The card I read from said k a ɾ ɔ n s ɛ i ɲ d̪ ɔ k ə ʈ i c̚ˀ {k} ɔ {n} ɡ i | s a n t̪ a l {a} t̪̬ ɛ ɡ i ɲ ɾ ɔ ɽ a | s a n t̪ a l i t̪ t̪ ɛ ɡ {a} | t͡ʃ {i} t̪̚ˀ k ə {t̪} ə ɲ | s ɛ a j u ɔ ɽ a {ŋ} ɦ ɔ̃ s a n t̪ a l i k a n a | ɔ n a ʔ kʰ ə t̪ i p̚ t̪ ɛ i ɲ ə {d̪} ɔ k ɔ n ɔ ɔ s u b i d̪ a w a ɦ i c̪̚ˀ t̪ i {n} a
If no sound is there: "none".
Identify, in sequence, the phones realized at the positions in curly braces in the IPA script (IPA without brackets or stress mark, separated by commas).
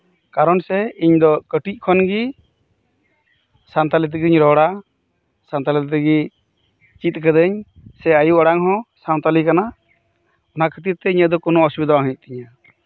kʰ, n, i, i, i, d̪, ŋ, d̪, ɲ